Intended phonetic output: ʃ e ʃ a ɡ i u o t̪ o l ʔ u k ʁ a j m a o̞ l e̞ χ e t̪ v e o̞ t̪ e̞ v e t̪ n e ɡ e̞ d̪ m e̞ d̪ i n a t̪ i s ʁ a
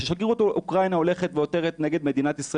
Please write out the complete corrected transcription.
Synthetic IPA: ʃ e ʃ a ɡ i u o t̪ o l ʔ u k ʁ a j n a o̞ l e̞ χ e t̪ v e o̞ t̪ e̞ ʁ e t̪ n e ɡ e̞ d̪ m e̞ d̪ i n a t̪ i s ʁ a

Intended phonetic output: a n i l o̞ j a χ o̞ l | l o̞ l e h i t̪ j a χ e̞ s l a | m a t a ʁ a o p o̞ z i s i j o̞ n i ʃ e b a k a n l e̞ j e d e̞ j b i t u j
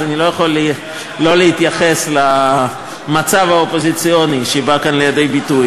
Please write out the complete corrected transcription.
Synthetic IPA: a n i l o̞ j a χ o̞ l | l o̞ l e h i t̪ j a χ e̞ s l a | m a t͡s a v a o p o̞ z i t͡s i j o̞ n i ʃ e b a k a n l e̞ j a d e̞ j b i t u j

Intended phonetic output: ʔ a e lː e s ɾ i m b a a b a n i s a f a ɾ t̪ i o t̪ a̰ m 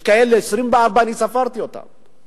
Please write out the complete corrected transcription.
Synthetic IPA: k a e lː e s ɾ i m b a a b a n i s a f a ɾ t̪ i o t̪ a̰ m

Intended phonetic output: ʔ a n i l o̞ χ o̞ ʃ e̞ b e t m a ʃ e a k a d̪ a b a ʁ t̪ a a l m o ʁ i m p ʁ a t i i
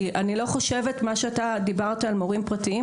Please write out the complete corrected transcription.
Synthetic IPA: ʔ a n i l o̞ χ o̞ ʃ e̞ v e t m a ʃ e a t a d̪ i b a ʁ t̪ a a l m o ʁ i m p ʁ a t i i

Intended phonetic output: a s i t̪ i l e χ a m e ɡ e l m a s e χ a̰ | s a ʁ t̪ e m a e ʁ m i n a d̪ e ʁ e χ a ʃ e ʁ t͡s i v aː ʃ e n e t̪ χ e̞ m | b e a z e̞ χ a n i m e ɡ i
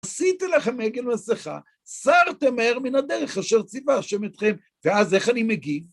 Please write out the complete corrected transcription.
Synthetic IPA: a s i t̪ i l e χ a m e ɡ e l m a s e χ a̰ | s a ʁ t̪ e m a e ʁ m i n a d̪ e ʁ e χ a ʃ e ʁ t͡s i v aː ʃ e m e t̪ χ e̞ m | v e a z e̞ χ a n i m e ɡ i

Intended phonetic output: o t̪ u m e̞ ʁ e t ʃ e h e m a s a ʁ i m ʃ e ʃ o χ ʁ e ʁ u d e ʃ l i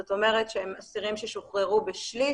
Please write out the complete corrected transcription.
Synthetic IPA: o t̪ o m e̞ ʁ e t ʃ e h e m a s i ʁ i m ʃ e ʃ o χ ʁ e ʁ u b e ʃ l i

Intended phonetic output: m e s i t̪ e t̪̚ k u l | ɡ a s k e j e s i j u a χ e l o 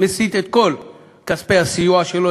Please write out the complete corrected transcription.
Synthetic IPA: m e s i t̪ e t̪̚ k o l | k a s p e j a s i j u a ʃ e l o

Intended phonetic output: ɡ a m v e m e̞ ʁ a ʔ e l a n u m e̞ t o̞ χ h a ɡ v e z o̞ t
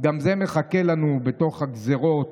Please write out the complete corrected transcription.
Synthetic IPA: ɡ a m z e m e̞ χ a k e l a n u b e̞ t o̞ χ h a ɡ z e ʁ o̞ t

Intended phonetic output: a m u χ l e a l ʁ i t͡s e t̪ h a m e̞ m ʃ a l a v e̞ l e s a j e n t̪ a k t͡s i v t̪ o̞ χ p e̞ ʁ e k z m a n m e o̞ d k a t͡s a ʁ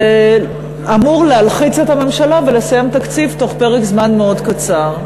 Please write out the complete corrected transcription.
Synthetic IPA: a m u ʁ l e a l χ i t͡s e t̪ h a m e̞ m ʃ a l a v e̞ l e s a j e m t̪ a k t͡s i v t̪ o̞ χ p e̞ ʁ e k z m a n m e o̞ d k a t͡s a ʁ

